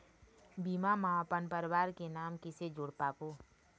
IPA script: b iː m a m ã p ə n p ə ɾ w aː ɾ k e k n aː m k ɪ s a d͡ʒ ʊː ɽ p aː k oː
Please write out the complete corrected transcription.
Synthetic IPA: b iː m a m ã p ə n p ə ɾ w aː ɾ k e n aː m k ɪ s e d͡ʒ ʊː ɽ p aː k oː

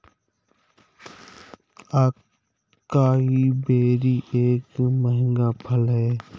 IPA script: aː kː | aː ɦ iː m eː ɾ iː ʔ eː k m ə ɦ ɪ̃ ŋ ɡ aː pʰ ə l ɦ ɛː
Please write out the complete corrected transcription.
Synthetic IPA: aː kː | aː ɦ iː b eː ɾ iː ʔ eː k m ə ɦ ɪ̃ ŋ ɡ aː pʰ ə l ɦ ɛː

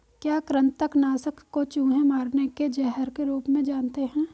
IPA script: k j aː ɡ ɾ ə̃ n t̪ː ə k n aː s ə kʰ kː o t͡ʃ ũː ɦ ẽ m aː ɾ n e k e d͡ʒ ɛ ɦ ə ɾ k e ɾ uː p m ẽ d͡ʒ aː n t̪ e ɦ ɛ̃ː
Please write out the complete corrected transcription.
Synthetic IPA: k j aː k ɾ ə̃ n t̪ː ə k n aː s ə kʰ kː o t͡ʃ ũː ɦ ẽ m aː ɾ n e k e d͡ʒ ɛ ɦ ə ɾ k e ɾ uː p m ẽ d͡ʒ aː n t̪ e ɦ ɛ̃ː

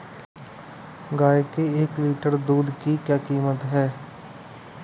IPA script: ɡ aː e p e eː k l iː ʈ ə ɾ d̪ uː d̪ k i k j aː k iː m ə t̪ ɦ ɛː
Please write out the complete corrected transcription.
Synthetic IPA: ɡ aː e k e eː k l iː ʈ ə ɾ d̪ uː d̪ k i k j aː k iː m ə t̪ ɦ ɛː

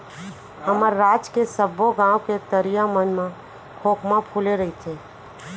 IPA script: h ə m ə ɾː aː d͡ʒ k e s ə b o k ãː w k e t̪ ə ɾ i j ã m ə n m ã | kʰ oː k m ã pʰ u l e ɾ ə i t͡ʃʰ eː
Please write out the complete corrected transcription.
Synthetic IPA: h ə m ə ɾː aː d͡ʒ k e s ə b o ɡ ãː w k e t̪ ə ɾ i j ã m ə n m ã | kʰ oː k m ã pʰ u l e ɾ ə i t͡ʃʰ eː

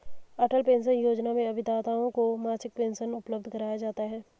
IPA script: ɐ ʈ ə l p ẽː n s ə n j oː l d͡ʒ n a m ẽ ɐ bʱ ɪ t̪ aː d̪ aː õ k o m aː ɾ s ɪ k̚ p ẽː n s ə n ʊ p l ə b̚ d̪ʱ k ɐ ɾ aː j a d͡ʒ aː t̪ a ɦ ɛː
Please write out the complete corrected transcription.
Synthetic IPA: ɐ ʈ ə l p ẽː n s ə n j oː d͡ʒ n a m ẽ ɐ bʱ ɪ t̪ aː t̪ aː õ k o m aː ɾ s ɪ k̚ p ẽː n s ə n ʊ p l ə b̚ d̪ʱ k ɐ ɾ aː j a d͡ʒ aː t̪ a ɦ ɛː

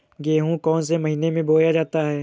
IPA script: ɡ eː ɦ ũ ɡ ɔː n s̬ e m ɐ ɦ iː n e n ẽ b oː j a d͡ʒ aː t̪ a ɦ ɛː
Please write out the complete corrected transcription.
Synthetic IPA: ɡ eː ɦ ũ k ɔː n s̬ e m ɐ ɦ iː n e m ẽ b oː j a d͡ʒ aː t̪ a ɦ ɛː

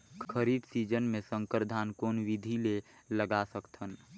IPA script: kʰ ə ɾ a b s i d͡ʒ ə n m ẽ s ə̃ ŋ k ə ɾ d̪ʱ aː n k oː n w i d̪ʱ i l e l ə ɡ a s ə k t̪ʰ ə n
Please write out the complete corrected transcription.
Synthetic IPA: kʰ ə ɾ i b s i d͡ʒ ə n m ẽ s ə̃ ŋ k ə ɾ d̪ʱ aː n k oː n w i d̪ʱ i l e l ə ɡ a s ə k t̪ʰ ə n

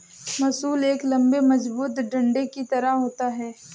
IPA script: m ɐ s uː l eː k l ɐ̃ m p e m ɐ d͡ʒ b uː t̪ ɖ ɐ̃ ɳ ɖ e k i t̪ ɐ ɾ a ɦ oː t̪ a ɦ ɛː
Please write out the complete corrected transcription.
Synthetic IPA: m ɐ s uː l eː k l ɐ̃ m b e m ɐ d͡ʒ b uː t̪ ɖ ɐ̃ ɳ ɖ e k i t̪ ɐ ɾ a ɦ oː t̪ a ɦ ɛː

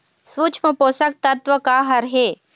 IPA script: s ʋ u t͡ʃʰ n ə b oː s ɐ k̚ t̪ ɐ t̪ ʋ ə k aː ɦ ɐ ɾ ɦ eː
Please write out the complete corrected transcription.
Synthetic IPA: s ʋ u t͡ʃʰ m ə p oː s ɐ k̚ t̪ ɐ t̪ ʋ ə k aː ɦ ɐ ɾ ɦ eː

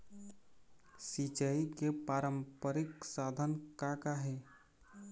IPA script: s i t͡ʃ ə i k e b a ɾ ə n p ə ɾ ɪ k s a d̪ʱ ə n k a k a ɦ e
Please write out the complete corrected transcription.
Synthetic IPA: s i t͡ʃ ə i k e p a ɾ ə m p ə ɾ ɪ k s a d̪ʱ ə n k a k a ɦ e

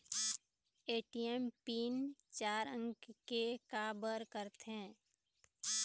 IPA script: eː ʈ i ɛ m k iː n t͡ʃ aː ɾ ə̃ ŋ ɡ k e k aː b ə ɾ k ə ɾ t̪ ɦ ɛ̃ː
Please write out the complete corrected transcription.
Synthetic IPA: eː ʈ i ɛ m p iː n t͡ʃ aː ɾ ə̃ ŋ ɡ k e k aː b ə ɾ k ə ɾ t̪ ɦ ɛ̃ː

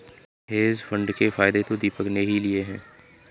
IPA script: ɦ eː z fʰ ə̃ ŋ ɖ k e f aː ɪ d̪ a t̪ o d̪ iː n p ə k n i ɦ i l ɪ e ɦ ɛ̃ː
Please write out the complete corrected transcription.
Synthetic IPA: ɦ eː z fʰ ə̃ ɳ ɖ k e f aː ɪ d̪ e t̪ o d̪ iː p ə k n e ɦ i l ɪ e ɦ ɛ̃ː

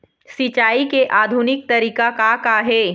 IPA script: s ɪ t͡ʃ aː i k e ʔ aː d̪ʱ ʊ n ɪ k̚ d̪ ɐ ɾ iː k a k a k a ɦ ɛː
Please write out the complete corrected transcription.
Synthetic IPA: s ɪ t͡ʃ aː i k e ʔ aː d̪ʱ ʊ n ɪ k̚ t̪ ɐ ɾ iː k a k a k a ɦ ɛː

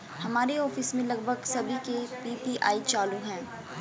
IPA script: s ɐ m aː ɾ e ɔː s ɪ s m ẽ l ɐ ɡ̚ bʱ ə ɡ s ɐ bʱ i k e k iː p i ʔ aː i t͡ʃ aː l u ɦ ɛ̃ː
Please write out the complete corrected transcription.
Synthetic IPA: h ɐ m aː ɾ e ɔː f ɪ s m ẽ l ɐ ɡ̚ bʱ ə ɡ s ɐ bʱ i k e p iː p i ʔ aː i t͡ʃ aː l u ɦ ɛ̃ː

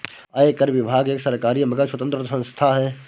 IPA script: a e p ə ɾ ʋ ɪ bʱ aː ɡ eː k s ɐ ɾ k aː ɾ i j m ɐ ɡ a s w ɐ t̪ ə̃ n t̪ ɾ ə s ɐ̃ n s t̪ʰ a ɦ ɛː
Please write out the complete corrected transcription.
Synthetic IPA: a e k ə ɾ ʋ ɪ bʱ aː ɡ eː k s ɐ ɾ k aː ɾ i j m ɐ ɡ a s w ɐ t̪ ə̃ n t̪ ɾ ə s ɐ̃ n s t̪ʰ a ɦ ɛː

